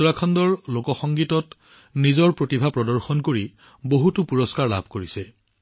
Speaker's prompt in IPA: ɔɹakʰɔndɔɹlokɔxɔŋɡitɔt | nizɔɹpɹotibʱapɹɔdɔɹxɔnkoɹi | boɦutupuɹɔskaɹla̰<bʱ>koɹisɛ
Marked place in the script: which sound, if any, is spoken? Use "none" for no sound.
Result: bʱ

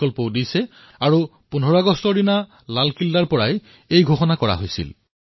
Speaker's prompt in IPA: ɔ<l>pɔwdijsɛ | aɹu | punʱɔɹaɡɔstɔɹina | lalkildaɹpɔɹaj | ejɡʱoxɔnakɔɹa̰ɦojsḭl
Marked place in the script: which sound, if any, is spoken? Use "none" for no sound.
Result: l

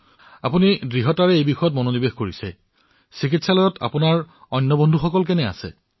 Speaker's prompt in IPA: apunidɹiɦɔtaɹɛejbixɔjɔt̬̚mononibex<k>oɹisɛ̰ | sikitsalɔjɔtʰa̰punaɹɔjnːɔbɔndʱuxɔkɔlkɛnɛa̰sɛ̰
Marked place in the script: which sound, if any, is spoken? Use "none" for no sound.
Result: k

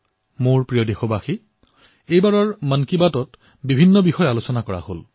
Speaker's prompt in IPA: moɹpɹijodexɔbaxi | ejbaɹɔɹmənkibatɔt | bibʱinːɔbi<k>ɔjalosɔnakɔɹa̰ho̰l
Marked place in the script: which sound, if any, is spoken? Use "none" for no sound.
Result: x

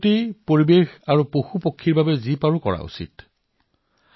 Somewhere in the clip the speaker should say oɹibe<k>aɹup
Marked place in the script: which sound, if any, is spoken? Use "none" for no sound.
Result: x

